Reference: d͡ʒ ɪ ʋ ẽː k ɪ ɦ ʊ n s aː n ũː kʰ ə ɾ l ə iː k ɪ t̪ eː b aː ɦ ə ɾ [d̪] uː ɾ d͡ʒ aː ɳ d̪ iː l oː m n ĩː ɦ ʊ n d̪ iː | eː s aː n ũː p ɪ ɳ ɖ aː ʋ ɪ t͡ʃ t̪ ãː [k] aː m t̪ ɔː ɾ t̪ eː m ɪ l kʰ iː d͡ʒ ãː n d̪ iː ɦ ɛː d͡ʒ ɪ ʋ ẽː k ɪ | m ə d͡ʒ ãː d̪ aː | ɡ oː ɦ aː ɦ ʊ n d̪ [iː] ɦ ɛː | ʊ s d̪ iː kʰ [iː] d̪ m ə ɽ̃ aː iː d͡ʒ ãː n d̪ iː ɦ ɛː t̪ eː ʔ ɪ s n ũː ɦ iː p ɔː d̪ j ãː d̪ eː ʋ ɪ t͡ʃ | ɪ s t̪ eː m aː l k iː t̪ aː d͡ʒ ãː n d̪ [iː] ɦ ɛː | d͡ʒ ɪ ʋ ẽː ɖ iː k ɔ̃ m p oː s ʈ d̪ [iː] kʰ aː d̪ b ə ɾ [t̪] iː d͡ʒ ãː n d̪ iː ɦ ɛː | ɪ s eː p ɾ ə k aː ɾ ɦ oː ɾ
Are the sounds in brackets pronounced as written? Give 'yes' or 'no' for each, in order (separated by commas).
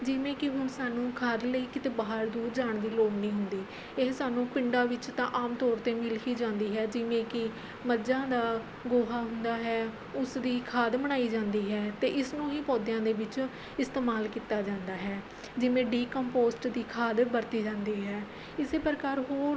yes, no, no, no, no, yes, yes